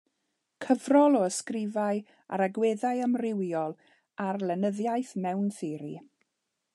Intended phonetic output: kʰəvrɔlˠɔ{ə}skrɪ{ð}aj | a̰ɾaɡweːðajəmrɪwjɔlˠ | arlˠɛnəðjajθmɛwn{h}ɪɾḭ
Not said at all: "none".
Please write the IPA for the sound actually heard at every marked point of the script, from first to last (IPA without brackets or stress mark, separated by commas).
ə, v, θ